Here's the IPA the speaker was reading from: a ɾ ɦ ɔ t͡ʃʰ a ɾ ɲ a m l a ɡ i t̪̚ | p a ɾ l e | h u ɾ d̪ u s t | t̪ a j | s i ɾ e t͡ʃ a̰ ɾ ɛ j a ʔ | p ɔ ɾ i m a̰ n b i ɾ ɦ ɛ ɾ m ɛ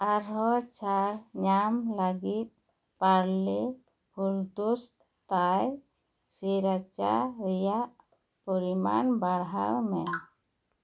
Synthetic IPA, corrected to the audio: a ɾ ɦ ɔ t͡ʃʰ a ɾ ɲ a m l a ɡ i t̪̚ | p a ɾ l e | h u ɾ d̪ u s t | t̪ a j | s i ɾ a t͡ʃ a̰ ɾ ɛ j a ʔ | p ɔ ɾ i m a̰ n b a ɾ ɦ a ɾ m ɛ